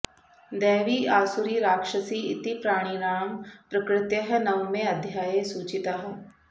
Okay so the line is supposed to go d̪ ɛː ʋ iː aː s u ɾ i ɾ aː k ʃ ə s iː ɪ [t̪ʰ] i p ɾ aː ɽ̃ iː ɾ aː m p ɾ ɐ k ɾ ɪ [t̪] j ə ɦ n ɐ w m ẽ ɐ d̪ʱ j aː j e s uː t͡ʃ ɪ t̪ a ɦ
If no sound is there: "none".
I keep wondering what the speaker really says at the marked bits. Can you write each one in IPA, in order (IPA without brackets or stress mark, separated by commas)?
t̪, t̪